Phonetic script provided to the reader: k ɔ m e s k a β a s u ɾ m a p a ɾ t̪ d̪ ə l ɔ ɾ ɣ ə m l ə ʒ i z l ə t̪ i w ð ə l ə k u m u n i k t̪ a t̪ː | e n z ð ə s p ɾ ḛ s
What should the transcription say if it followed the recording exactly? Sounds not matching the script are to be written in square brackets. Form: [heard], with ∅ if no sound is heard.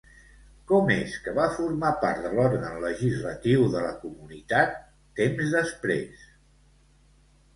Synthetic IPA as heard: k ɔ m e s k [ə] β a [f] u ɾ m a p a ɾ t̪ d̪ ə l ɔ ɾ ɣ ə [n] l ə ʒ i z l ə t̪ i w ð ə l ə k u m u n i [∅] t̪ a t̪ː | e [m] z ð ə s p ɾ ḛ s